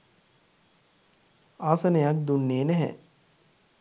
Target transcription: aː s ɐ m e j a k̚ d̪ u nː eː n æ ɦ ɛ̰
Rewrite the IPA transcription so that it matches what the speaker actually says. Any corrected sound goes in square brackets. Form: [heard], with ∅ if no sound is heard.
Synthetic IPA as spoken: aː s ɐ [n] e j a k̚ d̪ u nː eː n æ ɦ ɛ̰